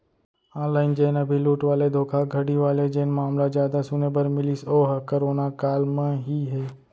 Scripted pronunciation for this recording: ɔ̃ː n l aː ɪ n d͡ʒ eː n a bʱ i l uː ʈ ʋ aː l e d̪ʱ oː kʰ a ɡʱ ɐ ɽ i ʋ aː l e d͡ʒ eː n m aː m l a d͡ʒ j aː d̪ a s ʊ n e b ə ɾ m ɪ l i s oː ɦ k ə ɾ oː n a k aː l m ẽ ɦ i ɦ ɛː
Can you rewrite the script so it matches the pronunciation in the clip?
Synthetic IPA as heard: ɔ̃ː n l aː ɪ n d͡ʒ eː n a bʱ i l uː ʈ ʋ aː l e d̪ʱ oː kʰ a ɡʱ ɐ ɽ i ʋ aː l e d͡ʒ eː n m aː m l a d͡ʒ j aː d̪ a s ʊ n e b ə ɾ m ɪ l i s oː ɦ k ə ɾ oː n a k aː l m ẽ ɦ i ɦ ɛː